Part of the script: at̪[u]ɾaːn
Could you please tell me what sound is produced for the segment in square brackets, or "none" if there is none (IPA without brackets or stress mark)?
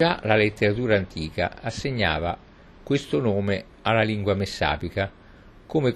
uː